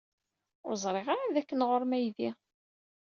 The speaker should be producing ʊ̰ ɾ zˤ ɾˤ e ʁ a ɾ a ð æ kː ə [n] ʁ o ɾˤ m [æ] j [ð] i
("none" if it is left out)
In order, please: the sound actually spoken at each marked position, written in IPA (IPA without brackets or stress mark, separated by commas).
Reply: n, æ, ð